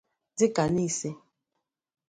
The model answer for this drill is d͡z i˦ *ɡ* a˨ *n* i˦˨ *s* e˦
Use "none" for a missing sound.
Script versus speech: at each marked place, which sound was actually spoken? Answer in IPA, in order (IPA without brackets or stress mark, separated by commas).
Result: k, n, s